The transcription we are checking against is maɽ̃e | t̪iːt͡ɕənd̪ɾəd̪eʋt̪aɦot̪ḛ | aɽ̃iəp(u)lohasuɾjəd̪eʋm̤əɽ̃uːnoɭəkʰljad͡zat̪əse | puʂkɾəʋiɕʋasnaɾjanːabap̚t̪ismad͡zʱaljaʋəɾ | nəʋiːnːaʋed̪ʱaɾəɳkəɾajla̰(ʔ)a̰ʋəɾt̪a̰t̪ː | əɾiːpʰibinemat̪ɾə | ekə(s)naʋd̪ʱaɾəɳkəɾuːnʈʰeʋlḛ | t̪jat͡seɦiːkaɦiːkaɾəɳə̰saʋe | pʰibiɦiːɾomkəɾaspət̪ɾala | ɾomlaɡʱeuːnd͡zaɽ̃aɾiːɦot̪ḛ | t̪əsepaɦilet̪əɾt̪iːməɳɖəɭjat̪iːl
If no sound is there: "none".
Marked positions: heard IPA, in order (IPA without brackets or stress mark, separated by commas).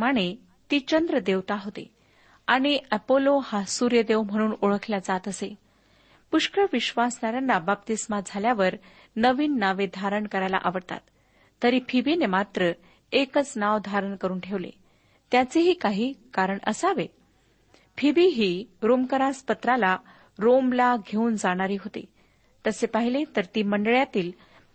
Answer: o, ʔ, t͡s